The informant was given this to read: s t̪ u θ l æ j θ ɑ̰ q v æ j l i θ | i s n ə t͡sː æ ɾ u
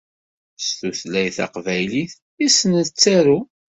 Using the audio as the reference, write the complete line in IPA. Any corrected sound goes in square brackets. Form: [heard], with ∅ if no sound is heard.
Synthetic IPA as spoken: s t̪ u θ l æ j θ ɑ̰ q v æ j l i θ | i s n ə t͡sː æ ɾ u